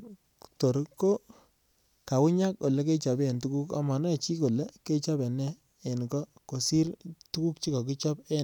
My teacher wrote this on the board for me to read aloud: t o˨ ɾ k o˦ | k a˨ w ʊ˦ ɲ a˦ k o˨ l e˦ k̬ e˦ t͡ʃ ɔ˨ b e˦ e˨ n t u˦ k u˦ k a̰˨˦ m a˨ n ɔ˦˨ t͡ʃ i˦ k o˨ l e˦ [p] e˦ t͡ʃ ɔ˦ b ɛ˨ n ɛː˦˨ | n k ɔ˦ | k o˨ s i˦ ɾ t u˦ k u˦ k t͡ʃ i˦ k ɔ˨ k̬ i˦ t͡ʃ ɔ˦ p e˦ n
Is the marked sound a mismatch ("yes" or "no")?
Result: yes